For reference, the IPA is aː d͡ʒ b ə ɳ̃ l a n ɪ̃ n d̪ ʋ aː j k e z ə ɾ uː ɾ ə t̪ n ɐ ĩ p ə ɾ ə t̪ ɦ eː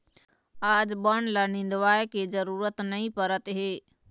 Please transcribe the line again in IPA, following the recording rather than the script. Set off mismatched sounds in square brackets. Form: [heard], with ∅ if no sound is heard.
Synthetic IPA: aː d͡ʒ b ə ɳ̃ l a n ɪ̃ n d̪ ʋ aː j k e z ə ɾ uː ɾ ə t̪ n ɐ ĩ p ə ɾ ə t̪ ɦ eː